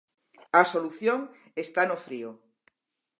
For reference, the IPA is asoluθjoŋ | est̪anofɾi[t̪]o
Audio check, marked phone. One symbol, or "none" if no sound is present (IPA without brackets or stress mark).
none